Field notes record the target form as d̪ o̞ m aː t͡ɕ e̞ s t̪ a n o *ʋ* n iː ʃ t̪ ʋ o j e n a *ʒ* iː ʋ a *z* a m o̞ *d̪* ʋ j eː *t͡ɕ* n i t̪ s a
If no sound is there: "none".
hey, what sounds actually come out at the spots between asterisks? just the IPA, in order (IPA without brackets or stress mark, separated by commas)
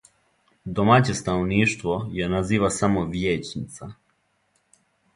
ʋ, z, s, none, t͡ɕ